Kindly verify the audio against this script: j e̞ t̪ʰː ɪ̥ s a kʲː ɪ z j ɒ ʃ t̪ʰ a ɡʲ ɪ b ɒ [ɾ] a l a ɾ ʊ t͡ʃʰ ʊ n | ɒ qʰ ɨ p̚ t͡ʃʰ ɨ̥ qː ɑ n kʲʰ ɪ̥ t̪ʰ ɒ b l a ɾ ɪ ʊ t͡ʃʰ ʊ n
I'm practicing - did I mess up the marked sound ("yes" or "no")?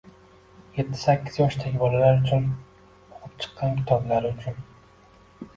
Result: yes